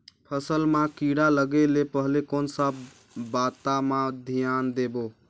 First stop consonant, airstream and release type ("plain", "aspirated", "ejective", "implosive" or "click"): aspirated